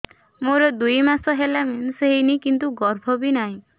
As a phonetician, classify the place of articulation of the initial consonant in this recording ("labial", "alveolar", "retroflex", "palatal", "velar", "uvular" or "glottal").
labial